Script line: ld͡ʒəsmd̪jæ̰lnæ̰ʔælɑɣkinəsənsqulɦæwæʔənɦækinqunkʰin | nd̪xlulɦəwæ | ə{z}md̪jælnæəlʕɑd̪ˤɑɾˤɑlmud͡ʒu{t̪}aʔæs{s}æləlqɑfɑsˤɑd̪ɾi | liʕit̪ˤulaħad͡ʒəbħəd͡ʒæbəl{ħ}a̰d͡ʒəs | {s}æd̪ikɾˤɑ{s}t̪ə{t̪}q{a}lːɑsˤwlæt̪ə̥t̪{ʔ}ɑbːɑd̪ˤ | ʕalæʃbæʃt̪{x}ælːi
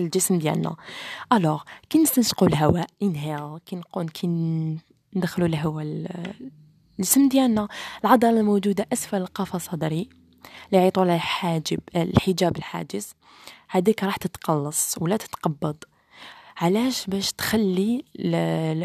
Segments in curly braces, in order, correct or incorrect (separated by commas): incorrect, incorrect, incorrect, correct, incorrect, incorrect, correct, incorrect, incorrect, correct